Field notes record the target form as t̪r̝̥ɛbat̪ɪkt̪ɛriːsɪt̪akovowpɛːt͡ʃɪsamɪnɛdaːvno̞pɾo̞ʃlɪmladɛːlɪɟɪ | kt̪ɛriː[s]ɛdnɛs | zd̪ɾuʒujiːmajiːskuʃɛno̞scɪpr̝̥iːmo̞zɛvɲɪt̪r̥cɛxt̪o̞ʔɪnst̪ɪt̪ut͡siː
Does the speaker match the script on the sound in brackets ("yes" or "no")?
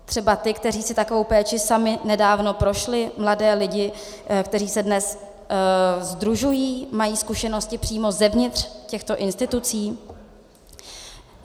yes